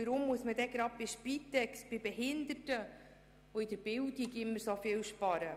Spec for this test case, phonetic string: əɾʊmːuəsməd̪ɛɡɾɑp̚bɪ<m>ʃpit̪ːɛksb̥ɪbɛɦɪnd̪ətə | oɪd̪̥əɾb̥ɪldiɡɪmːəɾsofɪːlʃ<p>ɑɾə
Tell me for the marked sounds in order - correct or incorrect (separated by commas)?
incorrect, correct